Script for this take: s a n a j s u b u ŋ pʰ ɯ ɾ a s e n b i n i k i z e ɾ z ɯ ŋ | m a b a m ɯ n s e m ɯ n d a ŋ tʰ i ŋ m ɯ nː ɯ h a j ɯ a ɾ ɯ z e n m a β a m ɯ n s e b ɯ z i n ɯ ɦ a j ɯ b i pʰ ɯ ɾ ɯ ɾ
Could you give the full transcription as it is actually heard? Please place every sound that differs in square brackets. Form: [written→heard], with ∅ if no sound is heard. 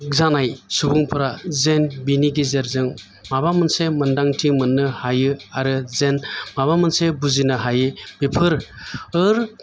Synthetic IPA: [s→z] a n a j s u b u ŋ pʰ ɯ ɾ a [s→z] e n b i n i [k→ɡ] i z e ɾ z ɯ ŋ | m a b a m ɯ n s e m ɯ n d a ŋ tʰ i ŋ m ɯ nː ɯ h a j ɯ a ɾ ɯ z e n m a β a m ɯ n s e b [ɯ→u] z i n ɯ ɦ a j ɯ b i pʰ ɯ ɾ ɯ ɾ